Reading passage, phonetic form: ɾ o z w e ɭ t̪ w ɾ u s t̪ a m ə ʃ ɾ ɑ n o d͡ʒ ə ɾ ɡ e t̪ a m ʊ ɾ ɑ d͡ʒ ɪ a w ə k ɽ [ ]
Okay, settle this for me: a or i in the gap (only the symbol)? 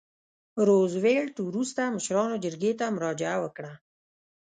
a